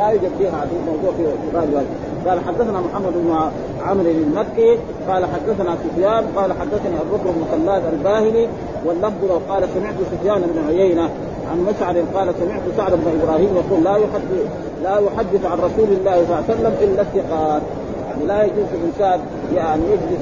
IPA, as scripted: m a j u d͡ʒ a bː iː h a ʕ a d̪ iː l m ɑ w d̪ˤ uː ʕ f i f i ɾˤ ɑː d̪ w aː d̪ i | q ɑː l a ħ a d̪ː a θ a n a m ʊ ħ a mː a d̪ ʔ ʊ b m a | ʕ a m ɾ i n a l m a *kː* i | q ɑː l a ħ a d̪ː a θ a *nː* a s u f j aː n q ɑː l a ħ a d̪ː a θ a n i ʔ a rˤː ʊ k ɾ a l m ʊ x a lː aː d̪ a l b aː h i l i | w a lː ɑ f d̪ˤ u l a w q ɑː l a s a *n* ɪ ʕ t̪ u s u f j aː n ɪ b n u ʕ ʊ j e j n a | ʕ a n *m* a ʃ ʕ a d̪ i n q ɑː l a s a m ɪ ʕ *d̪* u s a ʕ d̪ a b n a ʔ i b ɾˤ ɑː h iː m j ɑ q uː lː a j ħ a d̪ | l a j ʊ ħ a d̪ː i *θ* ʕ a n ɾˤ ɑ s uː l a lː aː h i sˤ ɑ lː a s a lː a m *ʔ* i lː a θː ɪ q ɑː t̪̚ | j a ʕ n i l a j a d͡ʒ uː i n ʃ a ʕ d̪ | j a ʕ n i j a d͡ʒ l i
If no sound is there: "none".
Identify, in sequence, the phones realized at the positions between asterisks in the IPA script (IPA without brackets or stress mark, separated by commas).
kː, n, m, m, t̪, θ, ʔ